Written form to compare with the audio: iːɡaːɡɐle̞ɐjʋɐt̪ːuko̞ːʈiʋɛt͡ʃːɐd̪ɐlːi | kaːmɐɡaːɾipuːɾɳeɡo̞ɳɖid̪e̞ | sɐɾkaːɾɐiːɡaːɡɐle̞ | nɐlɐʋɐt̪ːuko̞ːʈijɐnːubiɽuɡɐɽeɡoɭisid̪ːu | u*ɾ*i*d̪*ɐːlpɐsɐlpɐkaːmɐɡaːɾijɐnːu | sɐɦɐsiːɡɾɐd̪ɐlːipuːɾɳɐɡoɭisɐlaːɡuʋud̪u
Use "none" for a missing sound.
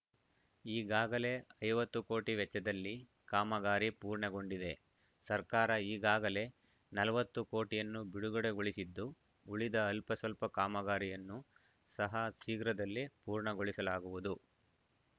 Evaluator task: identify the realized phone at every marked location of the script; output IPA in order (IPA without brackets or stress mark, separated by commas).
ɭ, d̪